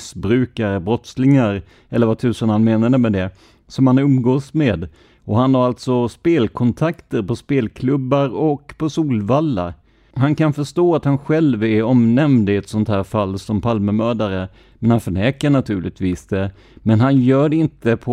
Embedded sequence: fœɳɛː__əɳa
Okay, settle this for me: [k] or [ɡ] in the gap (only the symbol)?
k